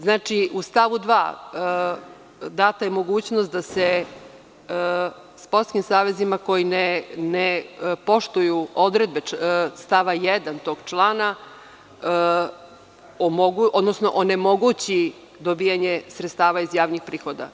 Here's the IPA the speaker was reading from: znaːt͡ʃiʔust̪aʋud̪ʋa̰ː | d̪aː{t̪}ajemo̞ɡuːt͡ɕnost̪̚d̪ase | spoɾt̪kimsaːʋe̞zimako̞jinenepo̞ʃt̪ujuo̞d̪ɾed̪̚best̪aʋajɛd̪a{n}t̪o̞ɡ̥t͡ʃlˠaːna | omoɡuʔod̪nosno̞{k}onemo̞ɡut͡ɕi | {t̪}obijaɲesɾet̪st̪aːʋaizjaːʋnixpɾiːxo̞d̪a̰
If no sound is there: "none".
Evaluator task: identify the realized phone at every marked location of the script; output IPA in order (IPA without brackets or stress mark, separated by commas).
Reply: t̪, n, ʔ, d̪